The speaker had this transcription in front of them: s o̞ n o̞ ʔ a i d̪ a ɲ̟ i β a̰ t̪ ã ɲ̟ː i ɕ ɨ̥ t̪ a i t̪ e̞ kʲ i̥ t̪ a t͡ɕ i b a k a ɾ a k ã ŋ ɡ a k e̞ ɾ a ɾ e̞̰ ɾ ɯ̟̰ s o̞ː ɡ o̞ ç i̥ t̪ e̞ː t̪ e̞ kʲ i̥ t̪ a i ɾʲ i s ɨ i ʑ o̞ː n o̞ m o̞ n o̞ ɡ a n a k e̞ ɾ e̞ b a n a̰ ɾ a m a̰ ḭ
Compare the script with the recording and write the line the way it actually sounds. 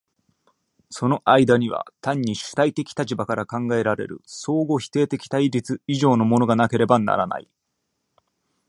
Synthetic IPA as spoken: s o̞ n o̞ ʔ a i d̪ a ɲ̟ i β a̰ t̪ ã ɲ̟ː i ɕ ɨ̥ t̪ a i t̪ e̞ kʲ i̥ t̪ a t͡ɕ i b a k a ɾ a k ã ŋ ɡ a e̞ ɾ a ɾ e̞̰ ɾ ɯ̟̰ s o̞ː ɡ o̞ ç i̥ t̪ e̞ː t̪ e̞ kʲ i̥ t̪ a i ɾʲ i t͡s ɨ i ʑ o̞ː n o̞ m o̞ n o̞ ɡ a n a k e̞ ɾ e̞ b a n a̰ ɾ a n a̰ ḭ